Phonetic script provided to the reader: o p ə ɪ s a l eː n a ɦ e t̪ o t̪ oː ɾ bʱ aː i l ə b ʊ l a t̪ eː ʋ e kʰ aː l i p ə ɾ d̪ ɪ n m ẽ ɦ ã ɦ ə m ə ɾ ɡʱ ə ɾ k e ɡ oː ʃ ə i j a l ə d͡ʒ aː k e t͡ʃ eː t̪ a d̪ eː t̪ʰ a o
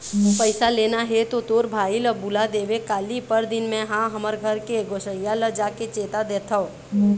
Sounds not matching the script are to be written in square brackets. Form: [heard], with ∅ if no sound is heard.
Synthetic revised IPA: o p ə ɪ s a l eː n a ɦ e t̪ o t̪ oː ɾ bʱ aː i l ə b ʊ l a [d̪] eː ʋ e [k] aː l i p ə ɾ d̪ ɪ n m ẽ ɦ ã ɦ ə m ə ɾ ɡʱ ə ɾ k e ɡ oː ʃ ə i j a l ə d͡ʒ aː k e t͡ʃ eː t̪ a d̪ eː t̪ʰ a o